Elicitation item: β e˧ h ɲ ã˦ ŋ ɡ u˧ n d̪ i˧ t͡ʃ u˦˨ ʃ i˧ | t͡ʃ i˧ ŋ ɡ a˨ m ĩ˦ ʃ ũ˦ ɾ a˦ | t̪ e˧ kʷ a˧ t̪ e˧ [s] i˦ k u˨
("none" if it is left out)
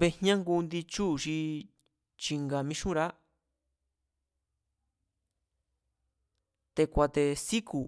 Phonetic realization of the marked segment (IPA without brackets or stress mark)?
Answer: s